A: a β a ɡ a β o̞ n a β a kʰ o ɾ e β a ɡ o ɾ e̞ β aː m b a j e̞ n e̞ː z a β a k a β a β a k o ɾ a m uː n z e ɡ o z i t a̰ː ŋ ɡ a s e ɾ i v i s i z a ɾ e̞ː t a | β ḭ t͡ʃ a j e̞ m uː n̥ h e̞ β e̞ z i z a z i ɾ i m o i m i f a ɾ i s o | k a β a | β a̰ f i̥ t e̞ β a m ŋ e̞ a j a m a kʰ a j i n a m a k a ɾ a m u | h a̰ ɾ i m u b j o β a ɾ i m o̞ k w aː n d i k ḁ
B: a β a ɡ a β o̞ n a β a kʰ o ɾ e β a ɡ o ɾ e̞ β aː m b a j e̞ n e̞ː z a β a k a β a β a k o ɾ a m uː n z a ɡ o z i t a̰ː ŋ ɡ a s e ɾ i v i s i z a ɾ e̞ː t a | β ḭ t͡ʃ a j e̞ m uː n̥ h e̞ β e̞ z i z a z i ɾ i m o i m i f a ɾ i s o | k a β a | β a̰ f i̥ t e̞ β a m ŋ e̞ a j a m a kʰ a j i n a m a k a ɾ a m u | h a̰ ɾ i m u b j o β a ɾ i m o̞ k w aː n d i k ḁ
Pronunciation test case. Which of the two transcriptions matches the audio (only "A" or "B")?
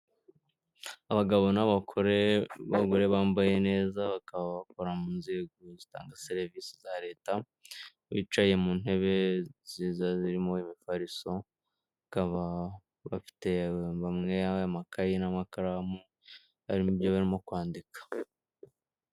A